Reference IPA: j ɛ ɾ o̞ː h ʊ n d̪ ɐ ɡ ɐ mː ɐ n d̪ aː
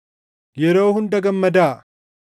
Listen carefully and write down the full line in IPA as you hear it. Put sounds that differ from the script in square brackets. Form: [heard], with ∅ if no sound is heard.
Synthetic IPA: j ɛ ɾ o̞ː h ʊ n d̪ ɐ ɡ ɐ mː ɐ [∅] d̪ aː